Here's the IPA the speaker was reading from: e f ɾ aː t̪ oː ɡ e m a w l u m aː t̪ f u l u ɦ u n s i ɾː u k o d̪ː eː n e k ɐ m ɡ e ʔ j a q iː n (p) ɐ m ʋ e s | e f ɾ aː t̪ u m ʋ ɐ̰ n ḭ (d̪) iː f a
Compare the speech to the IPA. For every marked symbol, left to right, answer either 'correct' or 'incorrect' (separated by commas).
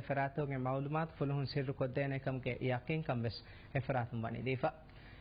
incorrect, correct